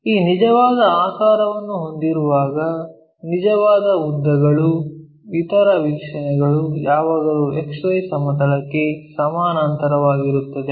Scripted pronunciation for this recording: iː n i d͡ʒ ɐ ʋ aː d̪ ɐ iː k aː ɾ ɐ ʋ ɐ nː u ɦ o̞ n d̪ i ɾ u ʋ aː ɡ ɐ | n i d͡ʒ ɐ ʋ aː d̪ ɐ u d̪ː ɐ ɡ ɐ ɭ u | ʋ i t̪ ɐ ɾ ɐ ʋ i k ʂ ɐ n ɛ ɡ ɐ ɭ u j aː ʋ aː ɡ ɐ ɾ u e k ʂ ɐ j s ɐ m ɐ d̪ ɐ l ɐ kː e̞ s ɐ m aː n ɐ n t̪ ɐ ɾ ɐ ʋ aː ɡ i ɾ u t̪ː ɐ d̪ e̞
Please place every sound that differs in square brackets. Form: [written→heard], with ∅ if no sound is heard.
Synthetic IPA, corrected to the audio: iː n i d͡ʒ ɐ ʋ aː d̪ ɐ [iː→aː] k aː ɾ ɐ ʋ ɐ nː u ɦ o̞ n d̪ i ɾ u ʋ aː ɡ ɐ | n i d͡ʒ ɐ ʋ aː d̪ ɐ u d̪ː ɐ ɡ ɐ ɭ u | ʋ i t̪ ɐ ɾ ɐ ʋ i k ʂ ɐ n ɛ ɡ ɐ ɭ u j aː ʋ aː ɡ ɐ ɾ u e k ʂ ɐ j s ɐ m ɐ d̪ ɐ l ɐ kː e̞ s ɐ m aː n ɐ n t̪ ɐ ɾ ɐ ʋ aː ɡ i ɾ u t̪ː ɐ d̪ e̞